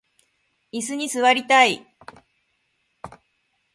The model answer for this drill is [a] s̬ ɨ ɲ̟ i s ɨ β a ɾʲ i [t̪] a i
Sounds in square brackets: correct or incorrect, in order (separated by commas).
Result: incorrect, correct